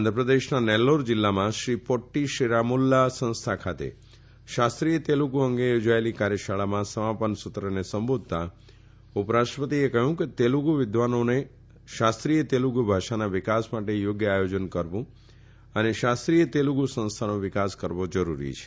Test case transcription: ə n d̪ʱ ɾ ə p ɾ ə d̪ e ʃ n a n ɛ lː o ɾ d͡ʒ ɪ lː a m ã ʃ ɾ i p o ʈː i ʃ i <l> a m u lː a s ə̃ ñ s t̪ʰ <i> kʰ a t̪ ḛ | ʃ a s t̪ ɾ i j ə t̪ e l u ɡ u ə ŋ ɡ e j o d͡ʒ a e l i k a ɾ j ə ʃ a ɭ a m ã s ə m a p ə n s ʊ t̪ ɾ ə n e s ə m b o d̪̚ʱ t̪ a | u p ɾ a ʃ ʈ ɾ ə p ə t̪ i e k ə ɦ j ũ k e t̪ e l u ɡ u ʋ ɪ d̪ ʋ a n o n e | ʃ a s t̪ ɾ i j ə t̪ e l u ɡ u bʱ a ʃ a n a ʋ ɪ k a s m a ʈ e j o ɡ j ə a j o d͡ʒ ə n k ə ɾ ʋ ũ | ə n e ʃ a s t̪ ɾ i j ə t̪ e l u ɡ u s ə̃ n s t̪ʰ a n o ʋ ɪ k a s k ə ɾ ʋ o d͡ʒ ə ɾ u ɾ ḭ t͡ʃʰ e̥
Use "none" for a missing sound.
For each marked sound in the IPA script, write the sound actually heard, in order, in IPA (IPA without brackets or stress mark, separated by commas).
ɾ, a